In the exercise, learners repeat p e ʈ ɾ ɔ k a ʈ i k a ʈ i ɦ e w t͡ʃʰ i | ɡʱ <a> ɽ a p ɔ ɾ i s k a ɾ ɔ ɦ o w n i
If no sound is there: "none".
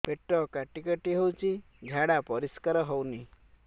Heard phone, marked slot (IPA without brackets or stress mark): a